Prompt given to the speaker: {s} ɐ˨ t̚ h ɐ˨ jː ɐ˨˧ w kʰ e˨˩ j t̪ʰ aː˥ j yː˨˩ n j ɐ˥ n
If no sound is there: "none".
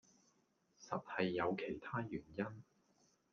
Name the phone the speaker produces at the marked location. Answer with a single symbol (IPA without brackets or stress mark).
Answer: s